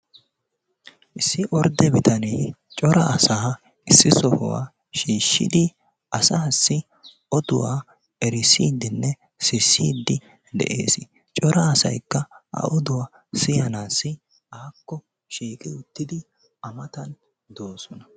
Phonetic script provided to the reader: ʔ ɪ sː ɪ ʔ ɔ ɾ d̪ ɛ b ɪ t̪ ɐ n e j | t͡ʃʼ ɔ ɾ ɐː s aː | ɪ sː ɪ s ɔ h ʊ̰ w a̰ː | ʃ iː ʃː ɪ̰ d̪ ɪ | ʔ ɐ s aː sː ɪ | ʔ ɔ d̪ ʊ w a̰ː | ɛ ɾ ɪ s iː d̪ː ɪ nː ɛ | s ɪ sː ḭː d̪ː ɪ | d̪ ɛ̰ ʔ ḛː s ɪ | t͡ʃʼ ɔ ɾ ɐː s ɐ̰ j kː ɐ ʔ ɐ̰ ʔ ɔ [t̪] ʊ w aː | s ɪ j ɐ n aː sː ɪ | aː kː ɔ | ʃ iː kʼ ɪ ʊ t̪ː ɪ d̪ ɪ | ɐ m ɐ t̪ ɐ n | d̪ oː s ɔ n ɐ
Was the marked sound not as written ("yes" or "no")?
yes